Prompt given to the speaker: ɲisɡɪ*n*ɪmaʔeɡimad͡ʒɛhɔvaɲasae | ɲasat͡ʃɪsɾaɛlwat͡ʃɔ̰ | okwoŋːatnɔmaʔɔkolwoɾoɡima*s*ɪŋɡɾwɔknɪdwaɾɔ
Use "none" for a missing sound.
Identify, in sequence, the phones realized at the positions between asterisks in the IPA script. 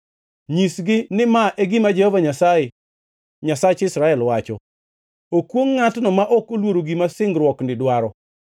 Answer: n, s

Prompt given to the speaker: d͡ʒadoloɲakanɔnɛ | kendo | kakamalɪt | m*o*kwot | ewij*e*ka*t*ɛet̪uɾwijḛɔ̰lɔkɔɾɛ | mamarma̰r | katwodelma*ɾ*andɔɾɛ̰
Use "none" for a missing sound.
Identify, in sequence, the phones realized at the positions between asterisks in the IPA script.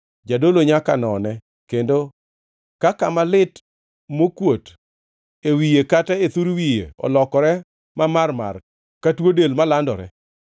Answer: o, e, t, l

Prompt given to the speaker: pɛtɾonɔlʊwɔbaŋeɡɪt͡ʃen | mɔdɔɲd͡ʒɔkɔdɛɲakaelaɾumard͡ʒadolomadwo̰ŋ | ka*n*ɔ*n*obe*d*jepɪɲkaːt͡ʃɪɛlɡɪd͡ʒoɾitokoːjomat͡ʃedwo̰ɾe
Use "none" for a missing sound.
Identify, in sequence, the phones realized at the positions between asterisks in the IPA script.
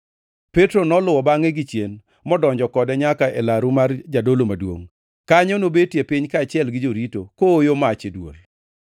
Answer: ɲ, n, t

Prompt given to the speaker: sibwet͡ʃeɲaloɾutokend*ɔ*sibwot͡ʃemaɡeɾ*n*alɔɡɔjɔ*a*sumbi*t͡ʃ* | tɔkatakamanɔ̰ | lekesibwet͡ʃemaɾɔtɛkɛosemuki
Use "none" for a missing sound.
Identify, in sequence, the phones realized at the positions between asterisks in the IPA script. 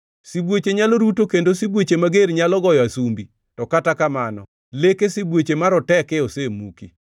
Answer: o, ɲ, a, none

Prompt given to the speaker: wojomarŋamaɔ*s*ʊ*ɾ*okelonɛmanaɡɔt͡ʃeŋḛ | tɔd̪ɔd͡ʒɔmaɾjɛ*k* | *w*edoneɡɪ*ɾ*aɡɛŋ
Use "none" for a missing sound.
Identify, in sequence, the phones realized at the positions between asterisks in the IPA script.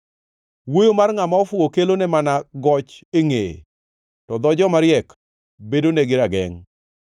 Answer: f, none, k, b, ɾ

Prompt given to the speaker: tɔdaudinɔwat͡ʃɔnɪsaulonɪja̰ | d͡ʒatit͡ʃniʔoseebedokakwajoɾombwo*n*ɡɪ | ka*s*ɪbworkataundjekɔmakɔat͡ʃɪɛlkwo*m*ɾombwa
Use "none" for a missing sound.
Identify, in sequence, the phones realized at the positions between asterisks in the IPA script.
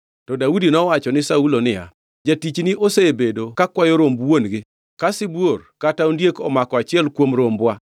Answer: n, s, m

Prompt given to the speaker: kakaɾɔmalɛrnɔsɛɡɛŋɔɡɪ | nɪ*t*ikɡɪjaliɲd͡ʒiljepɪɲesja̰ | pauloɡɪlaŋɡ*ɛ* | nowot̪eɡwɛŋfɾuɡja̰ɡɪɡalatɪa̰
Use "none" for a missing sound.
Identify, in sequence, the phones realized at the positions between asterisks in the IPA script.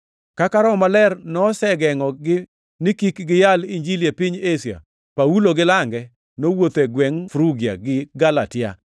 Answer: k, ɛ

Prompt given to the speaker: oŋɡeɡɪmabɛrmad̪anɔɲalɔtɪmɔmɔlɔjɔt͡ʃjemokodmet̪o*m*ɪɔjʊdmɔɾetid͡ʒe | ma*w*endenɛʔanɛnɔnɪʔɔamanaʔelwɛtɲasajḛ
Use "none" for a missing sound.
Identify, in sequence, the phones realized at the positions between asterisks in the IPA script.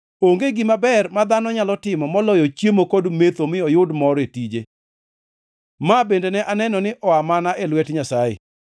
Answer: m, b

